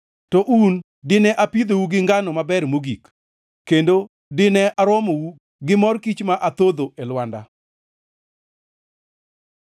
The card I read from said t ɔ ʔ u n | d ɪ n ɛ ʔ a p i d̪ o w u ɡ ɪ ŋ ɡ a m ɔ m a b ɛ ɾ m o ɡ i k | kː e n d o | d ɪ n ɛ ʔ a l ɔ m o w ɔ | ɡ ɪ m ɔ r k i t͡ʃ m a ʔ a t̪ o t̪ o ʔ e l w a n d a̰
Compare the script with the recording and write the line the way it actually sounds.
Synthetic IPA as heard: t ɔ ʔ u n | d ɪ n ɛ ʔ a p i d̪ o w u ɡ ɪ ŋ ɡ a n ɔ m a b ɛ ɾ m o ɡ i k | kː e n d o | d ɪ n ɛ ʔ a ɾ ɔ m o w u | ɡ ɪ m ɔ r k i t͡ʃ m a ʔ a t̪ o d̪ o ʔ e l w a n d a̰